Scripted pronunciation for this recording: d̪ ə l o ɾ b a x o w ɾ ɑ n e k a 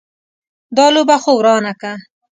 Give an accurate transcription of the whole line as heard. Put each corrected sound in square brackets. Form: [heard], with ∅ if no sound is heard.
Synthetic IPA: d̪ [ɑ] l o [∅] b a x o w ɾ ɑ n [a] k a

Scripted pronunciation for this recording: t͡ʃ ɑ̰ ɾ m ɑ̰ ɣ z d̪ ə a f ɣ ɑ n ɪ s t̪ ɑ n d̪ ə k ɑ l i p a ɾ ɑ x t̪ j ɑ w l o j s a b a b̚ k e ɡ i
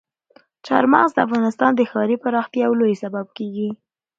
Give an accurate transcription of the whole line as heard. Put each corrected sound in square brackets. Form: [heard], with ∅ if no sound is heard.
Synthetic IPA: t͡ʃ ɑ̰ ɾ m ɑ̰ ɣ z d̪ ə a f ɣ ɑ n ɪ s t̪ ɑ n d̪ ə [x] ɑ [ɾ] i p a ɾ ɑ x t̪ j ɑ w l o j s a b a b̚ k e ɡ i

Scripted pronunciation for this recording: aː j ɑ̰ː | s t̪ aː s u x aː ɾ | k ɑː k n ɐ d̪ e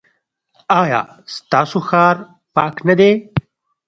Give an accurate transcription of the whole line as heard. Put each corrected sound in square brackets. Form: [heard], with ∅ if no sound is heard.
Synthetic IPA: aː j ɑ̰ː | s t̪ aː s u x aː ɾ | [p] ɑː k n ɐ d̪ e

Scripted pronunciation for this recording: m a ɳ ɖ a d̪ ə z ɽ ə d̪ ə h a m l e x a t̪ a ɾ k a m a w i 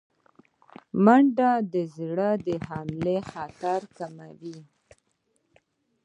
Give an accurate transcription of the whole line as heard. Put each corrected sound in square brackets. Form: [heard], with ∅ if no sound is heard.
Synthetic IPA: m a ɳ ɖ a d̪ ə z ɽ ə d̪ ə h a m l e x a t̪ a ɾ k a m a w i

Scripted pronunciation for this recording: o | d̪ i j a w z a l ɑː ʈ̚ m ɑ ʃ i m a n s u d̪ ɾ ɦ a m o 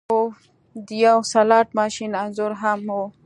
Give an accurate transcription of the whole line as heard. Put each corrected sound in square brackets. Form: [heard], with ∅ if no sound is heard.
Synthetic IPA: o | d̪ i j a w [s] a l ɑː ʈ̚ m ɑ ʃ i [n] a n [z] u [∅] ɾ ɦ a m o

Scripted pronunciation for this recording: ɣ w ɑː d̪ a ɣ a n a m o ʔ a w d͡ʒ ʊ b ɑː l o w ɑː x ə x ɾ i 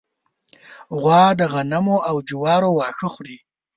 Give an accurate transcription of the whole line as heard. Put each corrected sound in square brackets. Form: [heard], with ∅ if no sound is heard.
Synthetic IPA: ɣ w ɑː d̪ [ə] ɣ a n a m o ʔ a w d͡ʒ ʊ [w] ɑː [ɾ] o w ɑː x ə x ɾ i

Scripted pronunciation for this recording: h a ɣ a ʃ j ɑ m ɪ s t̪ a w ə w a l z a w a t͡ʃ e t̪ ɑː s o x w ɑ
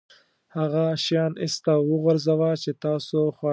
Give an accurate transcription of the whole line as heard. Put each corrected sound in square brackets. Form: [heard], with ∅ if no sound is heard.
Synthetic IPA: h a ɣ a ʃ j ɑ [n] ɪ s t̪ a w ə [ɣ] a [ɾ] z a w a t͡ʃ e t̪ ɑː s o x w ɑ

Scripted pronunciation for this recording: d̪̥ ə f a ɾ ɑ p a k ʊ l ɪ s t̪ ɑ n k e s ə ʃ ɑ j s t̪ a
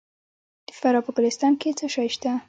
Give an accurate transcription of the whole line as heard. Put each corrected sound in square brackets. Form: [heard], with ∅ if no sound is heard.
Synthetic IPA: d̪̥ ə f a ɾ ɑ p [ə] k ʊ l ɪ s t̪ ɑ n k e [t͡s] ə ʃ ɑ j [ʃ] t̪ a

